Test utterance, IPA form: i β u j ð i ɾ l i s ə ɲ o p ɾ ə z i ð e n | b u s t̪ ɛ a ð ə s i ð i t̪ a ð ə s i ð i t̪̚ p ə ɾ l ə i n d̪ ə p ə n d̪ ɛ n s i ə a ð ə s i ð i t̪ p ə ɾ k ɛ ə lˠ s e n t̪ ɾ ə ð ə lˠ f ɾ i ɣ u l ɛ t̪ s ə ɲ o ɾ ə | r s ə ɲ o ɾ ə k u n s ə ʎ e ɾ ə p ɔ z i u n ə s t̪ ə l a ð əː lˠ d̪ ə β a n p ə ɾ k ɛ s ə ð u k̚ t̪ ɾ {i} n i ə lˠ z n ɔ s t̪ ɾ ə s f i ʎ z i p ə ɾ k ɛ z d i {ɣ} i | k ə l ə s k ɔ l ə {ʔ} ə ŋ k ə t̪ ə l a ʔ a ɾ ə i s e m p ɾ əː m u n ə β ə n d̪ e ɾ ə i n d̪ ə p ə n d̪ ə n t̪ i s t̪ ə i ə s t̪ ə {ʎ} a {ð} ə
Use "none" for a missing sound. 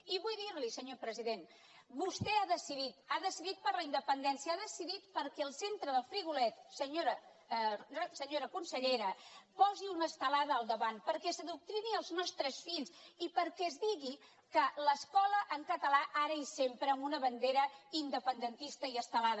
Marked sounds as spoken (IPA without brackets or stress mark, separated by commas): i, ɣ, ʔ, l, ð